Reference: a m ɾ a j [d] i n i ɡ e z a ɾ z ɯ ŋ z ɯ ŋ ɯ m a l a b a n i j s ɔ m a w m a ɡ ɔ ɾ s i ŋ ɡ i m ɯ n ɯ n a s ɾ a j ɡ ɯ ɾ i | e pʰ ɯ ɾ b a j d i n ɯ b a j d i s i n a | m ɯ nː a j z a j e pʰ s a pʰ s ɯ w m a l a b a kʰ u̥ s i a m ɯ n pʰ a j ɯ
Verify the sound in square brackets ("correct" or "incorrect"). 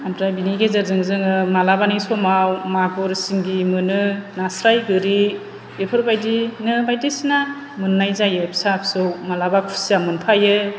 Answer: incorrect